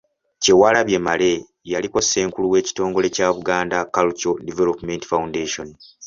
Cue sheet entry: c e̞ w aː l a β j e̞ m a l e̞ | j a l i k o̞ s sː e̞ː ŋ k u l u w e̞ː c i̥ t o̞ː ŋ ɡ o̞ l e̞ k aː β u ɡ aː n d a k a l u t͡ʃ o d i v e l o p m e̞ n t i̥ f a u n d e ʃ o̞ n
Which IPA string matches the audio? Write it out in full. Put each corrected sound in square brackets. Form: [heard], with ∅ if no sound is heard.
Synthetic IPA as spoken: c e̞ w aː l a β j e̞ m a l e̞ | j a l i k o̞ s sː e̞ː ŋ k u l u w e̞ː c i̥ t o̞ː ŋ ɡ o̞ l e̞ [c] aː β u ɡ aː n d a k a l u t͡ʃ o d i v e l o p m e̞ n t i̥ f a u n d e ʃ o̞ n

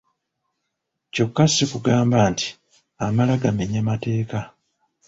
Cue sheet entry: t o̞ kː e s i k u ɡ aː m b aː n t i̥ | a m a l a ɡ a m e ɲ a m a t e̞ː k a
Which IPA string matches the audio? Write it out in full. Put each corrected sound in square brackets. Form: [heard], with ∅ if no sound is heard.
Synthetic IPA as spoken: [c] o̞ kː [a] s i k u ɡ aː m b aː n t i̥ | a m a l a ɡ a m e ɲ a m a t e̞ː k a

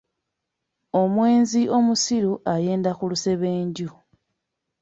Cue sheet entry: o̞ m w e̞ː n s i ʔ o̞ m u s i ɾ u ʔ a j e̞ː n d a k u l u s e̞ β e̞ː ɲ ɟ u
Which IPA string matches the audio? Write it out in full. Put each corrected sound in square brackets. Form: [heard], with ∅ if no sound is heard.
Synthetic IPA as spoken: o̞ m w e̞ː n [z] i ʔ o̞ m u s i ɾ u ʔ a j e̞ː n d a k u l u s e̞ β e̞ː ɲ ɟ u

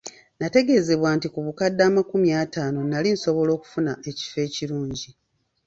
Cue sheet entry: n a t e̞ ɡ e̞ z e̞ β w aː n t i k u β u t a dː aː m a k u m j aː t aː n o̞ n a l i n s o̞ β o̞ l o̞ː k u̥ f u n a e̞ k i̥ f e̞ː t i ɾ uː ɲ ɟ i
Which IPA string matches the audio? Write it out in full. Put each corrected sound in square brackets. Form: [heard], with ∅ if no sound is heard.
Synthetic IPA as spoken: n a t e̞ ɡ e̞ z e̞ β w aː n t i k u β u [k] a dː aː m a k u m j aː t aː n o̞ n a l i n s o̞ β o̞ l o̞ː k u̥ f u n a e̞ [c] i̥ f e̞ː [c] i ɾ uː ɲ ɟ i

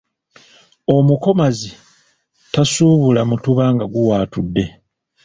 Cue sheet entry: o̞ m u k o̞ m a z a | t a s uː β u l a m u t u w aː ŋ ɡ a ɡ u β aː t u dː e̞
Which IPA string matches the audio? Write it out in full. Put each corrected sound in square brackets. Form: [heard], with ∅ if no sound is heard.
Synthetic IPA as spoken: o̞ m u k o̞ m a z [i] | t a s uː β u l a m u t u [β] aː ŋ ɡ a ɡ u [w] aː t u dː e̞

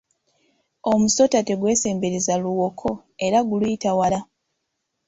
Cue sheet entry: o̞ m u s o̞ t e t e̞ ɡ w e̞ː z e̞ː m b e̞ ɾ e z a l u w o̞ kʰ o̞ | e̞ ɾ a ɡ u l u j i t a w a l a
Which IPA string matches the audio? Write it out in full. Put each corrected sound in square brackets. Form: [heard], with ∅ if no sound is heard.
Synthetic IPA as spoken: o̞ m u s o̞ t [a] t e̞ ɡ w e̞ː [s] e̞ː m b e̞ ɾ e z a l u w o̞ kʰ o̞ | e̞ ɾ a ɡ u l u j i t a w a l a

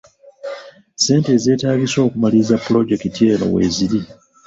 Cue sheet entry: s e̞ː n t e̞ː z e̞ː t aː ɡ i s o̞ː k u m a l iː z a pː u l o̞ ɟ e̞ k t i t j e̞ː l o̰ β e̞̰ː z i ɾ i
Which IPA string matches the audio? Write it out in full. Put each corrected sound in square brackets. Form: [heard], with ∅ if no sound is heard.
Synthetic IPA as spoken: s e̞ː n t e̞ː z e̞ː t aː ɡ i s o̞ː k u m a l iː z a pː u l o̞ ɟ e̞ k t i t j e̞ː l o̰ [w] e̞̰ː z i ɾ i

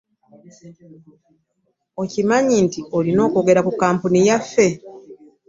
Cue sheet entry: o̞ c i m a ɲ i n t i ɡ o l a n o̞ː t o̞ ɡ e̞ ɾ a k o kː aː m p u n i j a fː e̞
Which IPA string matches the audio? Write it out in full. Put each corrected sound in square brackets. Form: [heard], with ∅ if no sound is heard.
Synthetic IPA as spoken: o̞ c i m a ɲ i n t i [∅] o l [i] n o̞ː [k] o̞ ɡ e̞ ɾ a k [u] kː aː m p u n i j a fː e̞

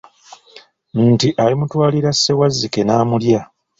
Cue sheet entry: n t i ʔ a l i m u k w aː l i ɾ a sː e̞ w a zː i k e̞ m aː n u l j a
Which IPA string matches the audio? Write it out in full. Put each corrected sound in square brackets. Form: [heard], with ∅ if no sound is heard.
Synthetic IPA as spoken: n t i ʔ a l i m u [t] w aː l i ɾ a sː e̞ w a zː i k e̞ [n] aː [m] u l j a

